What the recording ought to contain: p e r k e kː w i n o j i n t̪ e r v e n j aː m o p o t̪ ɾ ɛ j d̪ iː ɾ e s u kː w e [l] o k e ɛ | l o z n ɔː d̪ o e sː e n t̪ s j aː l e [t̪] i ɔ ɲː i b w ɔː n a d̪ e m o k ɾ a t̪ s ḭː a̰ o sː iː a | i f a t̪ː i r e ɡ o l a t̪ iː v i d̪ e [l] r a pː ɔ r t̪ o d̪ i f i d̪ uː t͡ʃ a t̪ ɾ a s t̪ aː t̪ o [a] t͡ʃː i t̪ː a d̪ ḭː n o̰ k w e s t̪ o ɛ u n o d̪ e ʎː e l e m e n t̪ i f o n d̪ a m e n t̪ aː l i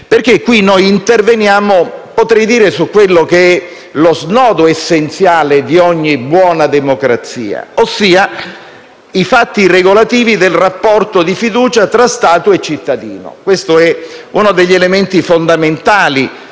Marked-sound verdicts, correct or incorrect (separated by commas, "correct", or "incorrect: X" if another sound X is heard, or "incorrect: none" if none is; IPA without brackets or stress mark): incorrect: lː, incorrect: d̪, correct, incorrect: e